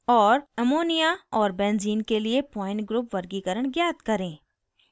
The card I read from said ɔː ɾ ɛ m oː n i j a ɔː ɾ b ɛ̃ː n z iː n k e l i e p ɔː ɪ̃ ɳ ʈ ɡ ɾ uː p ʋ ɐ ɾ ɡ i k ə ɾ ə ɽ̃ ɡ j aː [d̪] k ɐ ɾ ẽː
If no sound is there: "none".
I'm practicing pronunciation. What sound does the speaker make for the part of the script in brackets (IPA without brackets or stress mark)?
t̪